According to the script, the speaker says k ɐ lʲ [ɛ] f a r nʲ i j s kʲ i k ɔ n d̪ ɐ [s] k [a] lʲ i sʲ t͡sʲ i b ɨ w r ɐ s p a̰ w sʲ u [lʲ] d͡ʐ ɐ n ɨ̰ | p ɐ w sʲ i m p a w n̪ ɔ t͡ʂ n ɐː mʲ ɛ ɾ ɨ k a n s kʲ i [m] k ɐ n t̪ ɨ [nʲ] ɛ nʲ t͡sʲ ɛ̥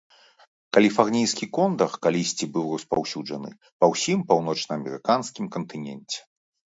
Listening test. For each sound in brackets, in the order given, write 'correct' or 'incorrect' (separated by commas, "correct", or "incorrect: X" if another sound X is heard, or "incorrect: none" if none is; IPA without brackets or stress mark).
incorrect: i, incorrect: x, correct, incorrect: none, correct, correct